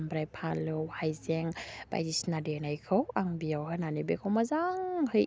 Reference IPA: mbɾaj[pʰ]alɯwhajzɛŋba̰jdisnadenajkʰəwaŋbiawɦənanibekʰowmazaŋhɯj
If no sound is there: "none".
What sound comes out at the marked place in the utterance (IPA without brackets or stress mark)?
pʰ